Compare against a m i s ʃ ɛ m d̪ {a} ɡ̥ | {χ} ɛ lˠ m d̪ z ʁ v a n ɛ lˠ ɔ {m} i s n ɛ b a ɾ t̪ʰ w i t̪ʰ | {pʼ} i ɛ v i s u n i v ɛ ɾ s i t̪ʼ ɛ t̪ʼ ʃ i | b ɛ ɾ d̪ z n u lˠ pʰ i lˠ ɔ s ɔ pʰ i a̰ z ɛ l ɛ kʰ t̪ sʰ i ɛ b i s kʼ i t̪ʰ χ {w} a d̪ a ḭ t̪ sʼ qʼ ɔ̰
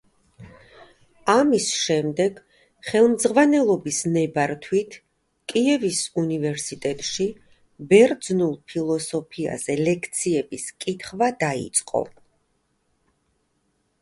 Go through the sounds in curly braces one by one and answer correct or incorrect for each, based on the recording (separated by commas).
incorrect, correct, incorrect, incorrect, incorrect